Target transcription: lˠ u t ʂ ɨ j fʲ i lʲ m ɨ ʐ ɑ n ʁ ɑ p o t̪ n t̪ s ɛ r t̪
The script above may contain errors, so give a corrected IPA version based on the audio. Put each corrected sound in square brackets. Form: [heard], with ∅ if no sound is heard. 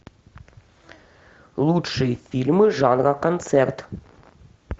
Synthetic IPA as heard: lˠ u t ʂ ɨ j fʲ i lʲ m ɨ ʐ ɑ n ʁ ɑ [k] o [∅] n t̪ s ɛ r t̪